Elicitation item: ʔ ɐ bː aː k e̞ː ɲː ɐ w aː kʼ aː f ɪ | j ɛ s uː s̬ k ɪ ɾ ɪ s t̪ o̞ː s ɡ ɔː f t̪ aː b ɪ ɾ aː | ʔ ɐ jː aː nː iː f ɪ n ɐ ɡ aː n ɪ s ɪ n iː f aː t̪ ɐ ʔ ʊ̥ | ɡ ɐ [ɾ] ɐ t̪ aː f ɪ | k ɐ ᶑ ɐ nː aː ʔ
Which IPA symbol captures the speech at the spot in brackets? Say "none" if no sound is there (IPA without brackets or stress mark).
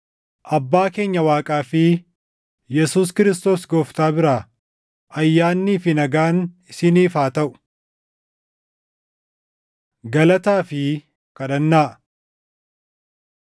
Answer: l